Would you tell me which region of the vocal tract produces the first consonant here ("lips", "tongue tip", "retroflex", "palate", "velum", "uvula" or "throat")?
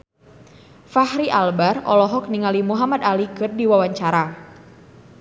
lips